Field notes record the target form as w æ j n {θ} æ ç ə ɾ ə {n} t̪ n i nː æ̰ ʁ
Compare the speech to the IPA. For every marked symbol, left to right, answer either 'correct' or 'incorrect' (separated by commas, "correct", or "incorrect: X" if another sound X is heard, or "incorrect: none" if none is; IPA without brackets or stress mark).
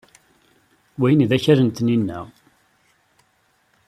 incorrect: ð, correct